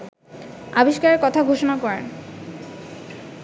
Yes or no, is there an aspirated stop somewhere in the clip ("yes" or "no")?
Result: yes